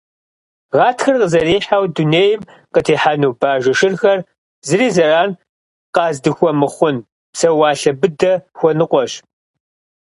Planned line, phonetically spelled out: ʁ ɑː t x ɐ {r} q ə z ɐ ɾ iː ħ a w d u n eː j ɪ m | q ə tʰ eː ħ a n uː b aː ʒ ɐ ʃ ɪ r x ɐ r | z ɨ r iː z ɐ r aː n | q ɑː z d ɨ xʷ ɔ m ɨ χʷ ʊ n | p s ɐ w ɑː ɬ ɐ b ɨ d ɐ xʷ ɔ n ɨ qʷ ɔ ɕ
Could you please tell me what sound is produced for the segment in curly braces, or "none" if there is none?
r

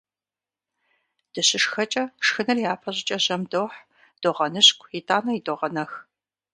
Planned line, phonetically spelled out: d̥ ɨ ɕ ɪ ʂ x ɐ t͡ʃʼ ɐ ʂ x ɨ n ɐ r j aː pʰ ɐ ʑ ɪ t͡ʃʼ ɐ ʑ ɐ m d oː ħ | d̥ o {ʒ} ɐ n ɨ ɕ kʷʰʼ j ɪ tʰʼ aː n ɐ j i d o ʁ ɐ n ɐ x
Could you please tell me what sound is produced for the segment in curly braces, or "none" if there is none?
ʁ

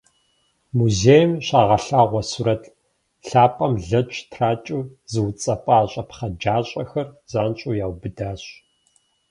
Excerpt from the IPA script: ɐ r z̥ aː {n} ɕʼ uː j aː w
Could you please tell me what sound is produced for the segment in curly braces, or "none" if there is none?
n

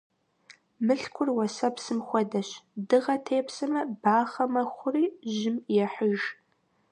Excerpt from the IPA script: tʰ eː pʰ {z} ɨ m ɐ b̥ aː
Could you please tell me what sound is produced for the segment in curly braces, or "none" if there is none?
s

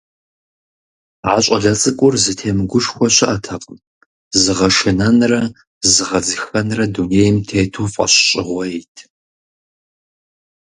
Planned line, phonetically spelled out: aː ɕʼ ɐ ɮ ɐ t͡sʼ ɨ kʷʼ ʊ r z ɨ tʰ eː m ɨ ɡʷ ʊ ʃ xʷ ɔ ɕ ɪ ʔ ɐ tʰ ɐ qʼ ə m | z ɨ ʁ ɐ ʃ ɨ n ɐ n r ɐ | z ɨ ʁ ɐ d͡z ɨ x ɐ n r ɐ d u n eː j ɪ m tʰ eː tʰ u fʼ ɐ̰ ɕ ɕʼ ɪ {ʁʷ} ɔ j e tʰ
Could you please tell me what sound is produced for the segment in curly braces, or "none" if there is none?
ʁʷ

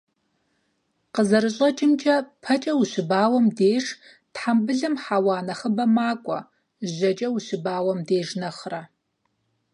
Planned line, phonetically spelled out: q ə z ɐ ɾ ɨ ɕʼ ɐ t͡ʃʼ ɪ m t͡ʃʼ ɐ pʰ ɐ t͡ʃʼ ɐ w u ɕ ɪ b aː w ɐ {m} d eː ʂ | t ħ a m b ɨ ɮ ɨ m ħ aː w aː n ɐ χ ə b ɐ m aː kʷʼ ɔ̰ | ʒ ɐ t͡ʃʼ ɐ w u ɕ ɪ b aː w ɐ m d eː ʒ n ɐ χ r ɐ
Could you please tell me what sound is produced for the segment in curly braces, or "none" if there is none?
m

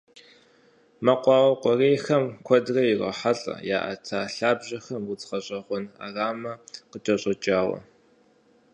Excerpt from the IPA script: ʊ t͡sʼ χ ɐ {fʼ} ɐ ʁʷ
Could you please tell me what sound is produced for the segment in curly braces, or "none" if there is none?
ɕʼ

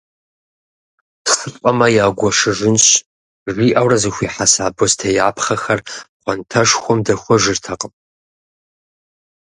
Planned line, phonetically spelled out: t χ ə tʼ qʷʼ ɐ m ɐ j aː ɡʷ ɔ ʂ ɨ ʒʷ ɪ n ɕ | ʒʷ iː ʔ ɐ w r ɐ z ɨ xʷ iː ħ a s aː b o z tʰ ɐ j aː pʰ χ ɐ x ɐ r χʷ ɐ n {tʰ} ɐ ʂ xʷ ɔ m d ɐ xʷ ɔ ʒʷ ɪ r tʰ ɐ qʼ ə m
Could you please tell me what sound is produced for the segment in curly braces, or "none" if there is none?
tʰ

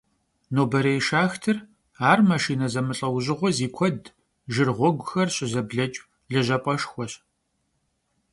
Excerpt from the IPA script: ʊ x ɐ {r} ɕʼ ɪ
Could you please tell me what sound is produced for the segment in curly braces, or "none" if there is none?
r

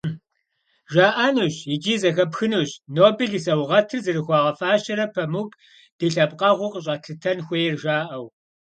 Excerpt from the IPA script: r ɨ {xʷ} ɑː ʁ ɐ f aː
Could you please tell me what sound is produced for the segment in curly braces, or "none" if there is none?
xʷ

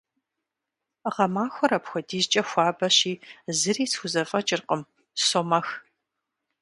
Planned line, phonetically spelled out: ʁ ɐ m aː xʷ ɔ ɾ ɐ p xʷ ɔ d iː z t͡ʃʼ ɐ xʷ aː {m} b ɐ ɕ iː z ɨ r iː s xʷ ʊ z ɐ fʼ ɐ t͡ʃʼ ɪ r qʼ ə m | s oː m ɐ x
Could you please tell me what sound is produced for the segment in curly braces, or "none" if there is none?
none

